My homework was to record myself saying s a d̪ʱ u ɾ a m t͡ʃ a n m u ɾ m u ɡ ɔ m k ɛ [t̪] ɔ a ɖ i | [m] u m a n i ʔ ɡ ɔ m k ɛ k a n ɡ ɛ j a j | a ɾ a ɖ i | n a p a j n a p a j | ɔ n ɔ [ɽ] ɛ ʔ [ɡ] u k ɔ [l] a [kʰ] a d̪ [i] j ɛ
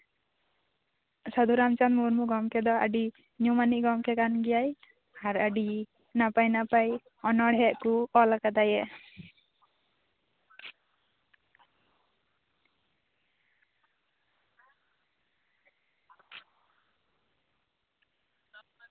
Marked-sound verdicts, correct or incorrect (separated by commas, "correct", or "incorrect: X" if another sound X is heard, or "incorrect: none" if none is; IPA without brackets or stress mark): incorrect: d̪, incorrect: ɲ, correct, incorrect: k, correct, incorrect: k, incorrect: a